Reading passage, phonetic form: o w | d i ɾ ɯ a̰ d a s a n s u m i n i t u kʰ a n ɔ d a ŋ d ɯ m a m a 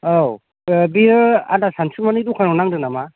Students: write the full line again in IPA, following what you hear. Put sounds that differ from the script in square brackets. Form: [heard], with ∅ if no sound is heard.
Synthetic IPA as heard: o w | [b] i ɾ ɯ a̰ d a s a n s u m [a] n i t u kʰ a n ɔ [n] a ŋ d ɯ [n] a m a